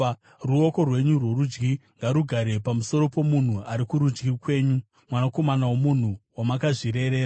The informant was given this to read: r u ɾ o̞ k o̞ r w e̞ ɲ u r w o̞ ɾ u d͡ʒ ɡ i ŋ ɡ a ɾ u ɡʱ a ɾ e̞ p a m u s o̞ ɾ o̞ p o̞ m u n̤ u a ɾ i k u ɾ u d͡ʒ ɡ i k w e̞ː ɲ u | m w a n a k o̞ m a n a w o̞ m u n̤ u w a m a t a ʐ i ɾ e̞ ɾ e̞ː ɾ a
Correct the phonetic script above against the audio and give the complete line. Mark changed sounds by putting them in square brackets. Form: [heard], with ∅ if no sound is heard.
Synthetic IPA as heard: r u [∅] o̞ k o̞ r w e̞ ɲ u r w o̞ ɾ u d͡ʒ ɡ i ŋ ɡ a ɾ u ɡʱ a ɾ e̞ p a m u s o̞ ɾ o̞ p o̞ m u n̤ u a ɾ i k u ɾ u d͡ʒ ɡ i k w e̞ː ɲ u | m w a n a k o̞ m a n a w o̞ m u n̤ u w a m a [k] a ʐ i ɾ e̞ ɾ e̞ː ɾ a